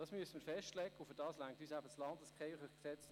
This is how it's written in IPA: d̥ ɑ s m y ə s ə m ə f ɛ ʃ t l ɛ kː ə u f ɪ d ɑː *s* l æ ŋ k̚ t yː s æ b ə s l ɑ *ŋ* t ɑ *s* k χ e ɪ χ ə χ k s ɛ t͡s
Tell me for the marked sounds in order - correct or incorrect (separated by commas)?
correct, incorrect, correct